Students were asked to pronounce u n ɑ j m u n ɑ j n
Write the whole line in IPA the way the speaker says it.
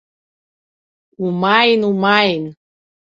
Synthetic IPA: u m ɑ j n u m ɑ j n